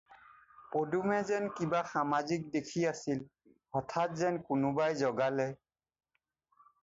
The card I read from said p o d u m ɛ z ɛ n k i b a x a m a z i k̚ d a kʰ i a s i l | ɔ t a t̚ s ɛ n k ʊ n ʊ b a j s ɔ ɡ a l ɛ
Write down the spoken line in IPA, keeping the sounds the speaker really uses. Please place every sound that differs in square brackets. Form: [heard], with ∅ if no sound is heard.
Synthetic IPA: p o d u m ɛ z ɛ n k i b a x a m a z i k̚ d [e] kʰ i a s i l | ɔ [tʰ] a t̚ [z] ɛ n k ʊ n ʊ b a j [z] ɔ ɡ a l ɛ